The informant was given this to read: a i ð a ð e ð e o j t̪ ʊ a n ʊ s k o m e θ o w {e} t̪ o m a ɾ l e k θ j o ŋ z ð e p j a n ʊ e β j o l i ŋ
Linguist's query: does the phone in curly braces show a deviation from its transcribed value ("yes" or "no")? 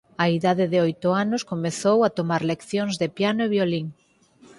yes